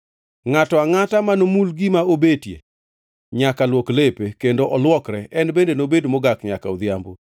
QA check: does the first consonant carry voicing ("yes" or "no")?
yes